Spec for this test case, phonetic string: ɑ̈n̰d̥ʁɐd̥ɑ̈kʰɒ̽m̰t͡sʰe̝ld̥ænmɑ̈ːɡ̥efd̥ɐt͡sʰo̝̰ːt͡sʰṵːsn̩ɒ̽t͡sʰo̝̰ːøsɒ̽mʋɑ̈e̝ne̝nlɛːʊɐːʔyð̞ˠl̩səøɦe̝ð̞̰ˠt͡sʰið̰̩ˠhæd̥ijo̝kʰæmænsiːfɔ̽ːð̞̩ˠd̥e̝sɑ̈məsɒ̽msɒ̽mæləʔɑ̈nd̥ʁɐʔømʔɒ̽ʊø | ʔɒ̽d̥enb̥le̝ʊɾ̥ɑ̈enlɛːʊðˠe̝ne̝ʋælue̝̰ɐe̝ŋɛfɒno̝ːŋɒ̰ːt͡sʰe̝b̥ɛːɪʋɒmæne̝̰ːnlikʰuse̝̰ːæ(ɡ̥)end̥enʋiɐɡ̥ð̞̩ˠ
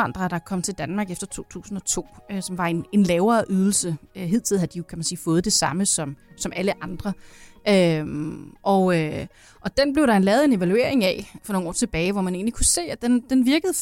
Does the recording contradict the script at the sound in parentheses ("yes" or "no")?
yes